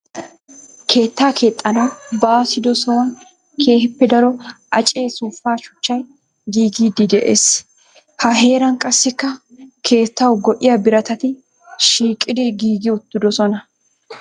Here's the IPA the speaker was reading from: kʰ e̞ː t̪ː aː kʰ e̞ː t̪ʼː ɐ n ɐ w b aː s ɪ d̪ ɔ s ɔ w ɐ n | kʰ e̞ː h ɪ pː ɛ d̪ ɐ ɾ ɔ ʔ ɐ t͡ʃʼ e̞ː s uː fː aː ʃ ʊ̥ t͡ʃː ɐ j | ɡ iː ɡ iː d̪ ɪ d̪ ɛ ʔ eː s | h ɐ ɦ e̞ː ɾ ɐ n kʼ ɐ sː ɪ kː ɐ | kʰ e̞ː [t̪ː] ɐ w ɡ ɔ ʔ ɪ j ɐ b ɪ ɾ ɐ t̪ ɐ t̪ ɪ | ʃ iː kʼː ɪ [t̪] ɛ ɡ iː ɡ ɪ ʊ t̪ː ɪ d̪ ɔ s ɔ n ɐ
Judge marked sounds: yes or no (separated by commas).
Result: yes, no